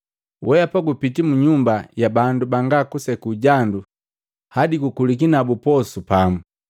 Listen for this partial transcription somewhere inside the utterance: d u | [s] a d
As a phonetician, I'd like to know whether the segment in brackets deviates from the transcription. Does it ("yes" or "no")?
yes